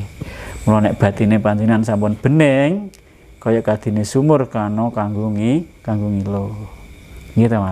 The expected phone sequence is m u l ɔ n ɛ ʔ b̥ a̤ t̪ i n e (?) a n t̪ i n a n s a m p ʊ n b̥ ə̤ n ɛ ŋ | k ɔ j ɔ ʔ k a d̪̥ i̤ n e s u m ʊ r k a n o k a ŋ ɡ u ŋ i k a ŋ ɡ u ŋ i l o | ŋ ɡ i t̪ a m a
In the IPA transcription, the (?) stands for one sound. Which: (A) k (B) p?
B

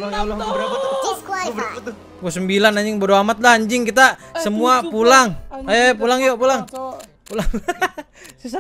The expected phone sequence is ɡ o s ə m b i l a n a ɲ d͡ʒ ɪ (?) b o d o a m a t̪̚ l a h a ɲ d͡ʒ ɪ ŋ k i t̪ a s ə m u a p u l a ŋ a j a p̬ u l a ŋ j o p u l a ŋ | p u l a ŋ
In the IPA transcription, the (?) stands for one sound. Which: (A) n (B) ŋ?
B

